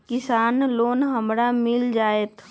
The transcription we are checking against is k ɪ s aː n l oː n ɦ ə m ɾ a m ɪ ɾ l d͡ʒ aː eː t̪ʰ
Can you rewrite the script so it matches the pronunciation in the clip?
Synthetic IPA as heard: k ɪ s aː n l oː n ɦ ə m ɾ a m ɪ l d͡ʒ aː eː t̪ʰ